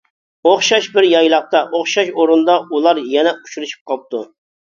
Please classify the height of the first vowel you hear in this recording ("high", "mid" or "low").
mid